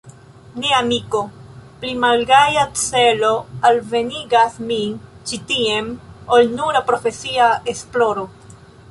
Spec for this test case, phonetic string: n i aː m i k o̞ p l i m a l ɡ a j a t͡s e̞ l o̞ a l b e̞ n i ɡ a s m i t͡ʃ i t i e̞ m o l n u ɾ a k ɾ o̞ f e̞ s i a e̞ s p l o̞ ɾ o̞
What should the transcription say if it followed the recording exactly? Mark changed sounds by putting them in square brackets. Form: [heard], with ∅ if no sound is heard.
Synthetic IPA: n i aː m i k o̞ p l i m a l ɡ a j a t͡s e̞ l o̞ a l [v] e̞ n i ɡ a s m i t͡ʃ i t i e̞ m o l n u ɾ a [p] ɾ o̞ f e̞ s i a e̞ s p l o̞ ɾ o̞

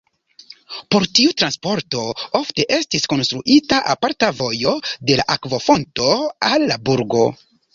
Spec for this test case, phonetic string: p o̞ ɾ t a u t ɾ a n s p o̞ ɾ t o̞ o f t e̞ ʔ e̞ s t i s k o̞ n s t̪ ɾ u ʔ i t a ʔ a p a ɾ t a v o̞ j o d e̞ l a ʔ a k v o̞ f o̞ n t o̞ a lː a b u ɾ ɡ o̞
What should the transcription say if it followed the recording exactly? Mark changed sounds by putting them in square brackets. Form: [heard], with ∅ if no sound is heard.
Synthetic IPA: p o̞ ɾ t [i] u t ɾ a n s p o̞ ɾ t o̞ o f t e̞ ʔ e̞ s t i s k o̞ n s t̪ ɾ u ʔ i t a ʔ a p a ɾ t a v o̞ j o d e̞ l a ʔ a k v o̞ f o̞ n t o̞ a lː a b u ɾ ɡ o̞

